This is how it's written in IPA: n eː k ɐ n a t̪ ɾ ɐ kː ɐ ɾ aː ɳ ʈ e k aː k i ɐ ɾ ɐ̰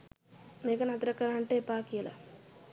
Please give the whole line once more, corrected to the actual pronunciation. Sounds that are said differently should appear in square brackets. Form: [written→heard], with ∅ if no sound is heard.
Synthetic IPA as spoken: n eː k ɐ n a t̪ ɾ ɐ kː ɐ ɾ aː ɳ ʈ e [k→p] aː k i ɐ [ɾ→l] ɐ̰

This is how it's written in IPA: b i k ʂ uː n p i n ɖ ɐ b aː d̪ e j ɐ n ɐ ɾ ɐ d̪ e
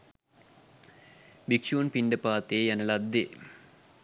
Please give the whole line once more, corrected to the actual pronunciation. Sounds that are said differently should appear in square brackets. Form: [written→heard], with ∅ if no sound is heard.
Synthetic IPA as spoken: b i k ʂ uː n p i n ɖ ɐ [b→p] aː [d̪→t̪] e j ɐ n ɐ [ɾ→l] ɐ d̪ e

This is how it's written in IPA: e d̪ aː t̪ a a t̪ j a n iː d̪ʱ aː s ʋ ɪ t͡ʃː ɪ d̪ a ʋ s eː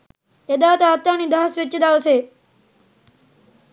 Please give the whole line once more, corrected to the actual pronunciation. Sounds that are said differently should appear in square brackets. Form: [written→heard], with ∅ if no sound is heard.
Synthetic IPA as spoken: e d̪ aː t̪ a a t̪ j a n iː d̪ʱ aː s ʋ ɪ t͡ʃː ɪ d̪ a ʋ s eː

